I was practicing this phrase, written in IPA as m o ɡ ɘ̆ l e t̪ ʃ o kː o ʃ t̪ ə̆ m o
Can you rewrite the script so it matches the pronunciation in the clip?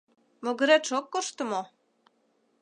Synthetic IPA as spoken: m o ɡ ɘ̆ ɾ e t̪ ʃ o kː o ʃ t̪ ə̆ m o